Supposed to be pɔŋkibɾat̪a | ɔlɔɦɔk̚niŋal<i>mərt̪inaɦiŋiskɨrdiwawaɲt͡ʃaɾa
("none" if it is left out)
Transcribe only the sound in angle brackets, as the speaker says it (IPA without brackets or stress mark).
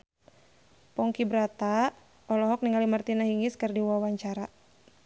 i